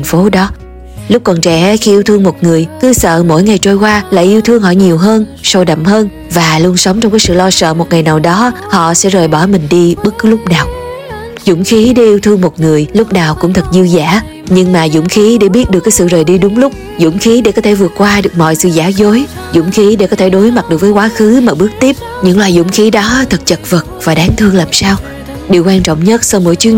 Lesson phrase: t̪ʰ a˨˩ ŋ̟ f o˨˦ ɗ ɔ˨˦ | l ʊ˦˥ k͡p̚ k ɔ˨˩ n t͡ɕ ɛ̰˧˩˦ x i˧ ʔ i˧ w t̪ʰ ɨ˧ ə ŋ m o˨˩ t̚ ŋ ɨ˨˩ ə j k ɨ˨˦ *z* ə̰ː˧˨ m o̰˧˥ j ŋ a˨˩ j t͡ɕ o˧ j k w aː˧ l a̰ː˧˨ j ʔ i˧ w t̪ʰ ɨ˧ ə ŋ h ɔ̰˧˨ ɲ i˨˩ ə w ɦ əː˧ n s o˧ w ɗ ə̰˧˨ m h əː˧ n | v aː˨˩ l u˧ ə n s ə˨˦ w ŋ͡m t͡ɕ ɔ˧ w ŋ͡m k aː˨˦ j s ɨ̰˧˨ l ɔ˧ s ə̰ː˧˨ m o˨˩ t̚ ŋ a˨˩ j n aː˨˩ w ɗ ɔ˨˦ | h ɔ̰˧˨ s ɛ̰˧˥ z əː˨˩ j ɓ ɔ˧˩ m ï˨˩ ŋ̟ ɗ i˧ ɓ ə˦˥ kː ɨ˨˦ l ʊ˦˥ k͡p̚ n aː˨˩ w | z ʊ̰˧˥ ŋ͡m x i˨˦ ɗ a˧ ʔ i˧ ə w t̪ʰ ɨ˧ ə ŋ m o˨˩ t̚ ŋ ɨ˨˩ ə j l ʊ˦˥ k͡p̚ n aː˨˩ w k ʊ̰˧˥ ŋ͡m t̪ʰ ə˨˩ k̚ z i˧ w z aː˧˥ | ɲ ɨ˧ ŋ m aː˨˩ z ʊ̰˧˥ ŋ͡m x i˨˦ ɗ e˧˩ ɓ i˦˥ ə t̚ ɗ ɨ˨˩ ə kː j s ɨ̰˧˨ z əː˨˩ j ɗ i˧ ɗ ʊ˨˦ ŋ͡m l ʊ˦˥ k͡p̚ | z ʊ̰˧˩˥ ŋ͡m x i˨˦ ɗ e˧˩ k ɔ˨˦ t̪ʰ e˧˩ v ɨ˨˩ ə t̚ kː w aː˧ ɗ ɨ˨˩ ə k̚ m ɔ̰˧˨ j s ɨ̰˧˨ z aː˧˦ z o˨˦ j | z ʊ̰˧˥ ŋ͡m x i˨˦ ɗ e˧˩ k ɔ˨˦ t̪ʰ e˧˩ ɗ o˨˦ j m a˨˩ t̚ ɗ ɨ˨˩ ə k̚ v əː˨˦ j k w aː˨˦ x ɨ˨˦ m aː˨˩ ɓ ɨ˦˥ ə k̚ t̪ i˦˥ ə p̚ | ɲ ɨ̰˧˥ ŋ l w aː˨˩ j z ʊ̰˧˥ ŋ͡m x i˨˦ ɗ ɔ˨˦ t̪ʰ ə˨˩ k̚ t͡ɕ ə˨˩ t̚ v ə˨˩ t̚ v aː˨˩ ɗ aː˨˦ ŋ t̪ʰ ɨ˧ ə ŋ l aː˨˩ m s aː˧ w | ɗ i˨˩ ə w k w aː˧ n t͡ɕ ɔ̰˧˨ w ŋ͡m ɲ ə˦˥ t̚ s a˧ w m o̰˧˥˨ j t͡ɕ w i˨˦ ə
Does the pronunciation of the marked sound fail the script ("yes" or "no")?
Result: yes